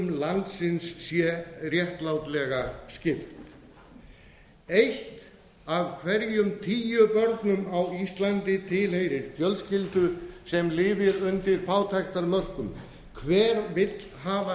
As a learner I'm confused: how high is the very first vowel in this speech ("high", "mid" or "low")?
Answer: low